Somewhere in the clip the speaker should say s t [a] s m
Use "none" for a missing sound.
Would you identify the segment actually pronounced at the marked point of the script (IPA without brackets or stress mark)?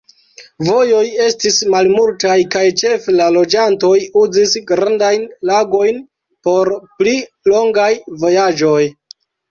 i